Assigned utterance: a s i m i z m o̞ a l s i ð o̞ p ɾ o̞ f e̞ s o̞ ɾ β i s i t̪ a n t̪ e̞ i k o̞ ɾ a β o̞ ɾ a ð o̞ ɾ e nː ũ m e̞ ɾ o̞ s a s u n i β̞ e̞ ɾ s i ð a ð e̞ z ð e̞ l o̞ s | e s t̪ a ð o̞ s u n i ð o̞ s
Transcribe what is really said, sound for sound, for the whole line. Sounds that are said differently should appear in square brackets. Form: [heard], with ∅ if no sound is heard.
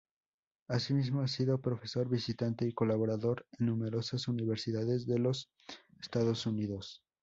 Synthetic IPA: a s i m i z m o̞ a [∅] s i ð o̞ p ɾ o̞ f e̞ s o̞ ɾ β i s i t̪ a n t̪ e̞ i k o̞ [l] a β o̞ ɾ a ð o̞ ɾ e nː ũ m e̞ ɾ o̞ s a s u n i β̞ e̞ ɾ s i ð a ð e̞ z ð e̞ l o̞ s | e s t̪ a ð o̞ s u n i ð o̞ s